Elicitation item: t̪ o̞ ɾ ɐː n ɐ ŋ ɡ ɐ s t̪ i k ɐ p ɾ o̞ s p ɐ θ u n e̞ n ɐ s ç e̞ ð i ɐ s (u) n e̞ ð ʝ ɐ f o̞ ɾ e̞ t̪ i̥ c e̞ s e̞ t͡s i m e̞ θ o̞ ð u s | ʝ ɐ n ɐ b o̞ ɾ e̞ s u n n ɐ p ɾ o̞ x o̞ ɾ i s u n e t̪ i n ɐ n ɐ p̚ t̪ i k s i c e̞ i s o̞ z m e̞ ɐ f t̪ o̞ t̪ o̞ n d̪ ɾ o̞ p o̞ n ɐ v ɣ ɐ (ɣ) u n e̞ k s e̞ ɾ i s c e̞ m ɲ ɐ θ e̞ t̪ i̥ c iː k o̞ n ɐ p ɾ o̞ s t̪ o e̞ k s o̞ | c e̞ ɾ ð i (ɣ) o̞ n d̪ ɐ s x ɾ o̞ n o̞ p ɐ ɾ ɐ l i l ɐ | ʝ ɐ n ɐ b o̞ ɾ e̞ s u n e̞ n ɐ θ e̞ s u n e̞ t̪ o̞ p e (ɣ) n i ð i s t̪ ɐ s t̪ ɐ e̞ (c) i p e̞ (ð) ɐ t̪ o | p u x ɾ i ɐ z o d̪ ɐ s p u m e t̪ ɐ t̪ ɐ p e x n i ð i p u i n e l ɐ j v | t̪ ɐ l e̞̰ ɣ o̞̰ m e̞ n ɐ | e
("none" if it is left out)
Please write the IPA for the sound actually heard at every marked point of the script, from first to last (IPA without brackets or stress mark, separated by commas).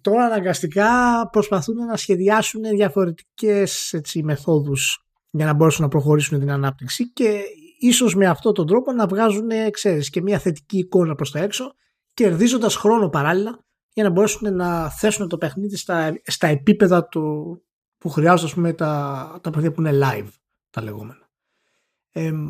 u, z, z, x, p, ð